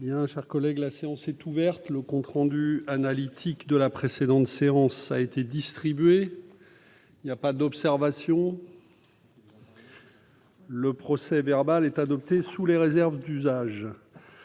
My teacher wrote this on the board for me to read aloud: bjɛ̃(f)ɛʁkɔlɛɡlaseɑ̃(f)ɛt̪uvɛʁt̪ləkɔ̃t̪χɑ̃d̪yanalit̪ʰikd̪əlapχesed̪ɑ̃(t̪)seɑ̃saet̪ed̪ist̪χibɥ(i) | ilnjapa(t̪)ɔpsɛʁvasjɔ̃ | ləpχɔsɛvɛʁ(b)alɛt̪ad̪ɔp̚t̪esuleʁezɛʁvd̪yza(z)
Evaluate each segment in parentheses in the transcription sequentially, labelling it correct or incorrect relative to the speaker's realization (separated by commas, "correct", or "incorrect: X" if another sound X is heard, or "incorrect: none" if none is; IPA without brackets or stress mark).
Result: incorrect: ʃ, incorrect: s, correct, incorrect: e, incorrect: d̪, correct, incorrect: ʒ